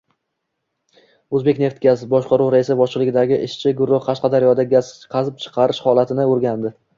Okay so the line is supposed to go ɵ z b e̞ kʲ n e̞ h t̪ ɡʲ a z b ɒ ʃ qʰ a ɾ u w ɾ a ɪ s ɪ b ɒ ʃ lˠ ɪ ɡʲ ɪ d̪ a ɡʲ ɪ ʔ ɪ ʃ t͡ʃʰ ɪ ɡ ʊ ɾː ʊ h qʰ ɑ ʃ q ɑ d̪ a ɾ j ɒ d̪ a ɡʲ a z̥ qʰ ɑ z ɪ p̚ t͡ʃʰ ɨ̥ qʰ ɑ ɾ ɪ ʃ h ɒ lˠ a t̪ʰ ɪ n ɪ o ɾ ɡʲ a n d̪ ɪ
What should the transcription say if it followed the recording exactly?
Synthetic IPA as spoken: ɵ z b e̞ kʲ n e̞ f t̪ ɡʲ a z b ɒ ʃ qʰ ɑ ɾ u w ɾ a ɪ s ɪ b ɒ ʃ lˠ ɪ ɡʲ ɪ d̪ a ɡʲ ɪ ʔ ɪ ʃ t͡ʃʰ ɪ ɡ ʊ ɾː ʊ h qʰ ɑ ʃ q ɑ d̪ a ɾ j ɒ d̪ a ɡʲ a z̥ qʰ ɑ z ɪ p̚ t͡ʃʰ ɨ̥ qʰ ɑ ɾ ɪ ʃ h ɒ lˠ a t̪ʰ ɪ n ɪ o ɾ ɡʲ a n d̪ ɪ